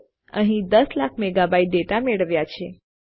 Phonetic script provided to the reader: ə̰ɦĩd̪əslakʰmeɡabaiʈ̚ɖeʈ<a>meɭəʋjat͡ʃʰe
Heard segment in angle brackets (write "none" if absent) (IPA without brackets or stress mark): a